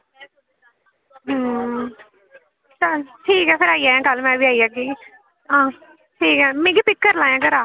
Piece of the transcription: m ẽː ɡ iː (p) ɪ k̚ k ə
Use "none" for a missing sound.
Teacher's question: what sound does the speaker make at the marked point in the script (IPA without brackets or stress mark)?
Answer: p